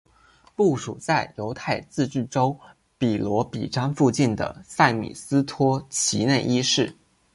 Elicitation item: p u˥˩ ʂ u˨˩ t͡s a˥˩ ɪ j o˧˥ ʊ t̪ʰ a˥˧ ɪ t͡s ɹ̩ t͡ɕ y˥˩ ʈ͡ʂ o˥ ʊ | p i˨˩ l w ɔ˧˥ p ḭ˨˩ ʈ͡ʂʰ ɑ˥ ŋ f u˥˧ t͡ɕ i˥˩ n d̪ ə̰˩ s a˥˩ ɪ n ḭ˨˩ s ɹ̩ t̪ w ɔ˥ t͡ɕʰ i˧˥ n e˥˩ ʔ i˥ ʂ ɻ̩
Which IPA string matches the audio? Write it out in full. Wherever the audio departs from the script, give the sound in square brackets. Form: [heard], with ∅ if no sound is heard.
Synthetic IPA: p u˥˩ ʂ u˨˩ t͡s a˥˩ ɪ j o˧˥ ʊ t̪ʰ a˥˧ ɪ t͡s ɹ̩ t͡ɕ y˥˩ ʈ͡ʂ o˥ ʊ | p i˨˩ l w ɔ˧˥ p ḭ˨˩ [ʈ͡ʂ] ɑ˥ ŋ f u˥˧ t͡ɕ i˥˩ n d̪ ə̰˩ s a˥˩ ɪ [m] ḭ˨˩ s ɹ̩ [t̪ʰ] w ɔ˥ t͡ɕʰ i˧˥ n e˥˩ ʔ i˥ ʂ ɻ̩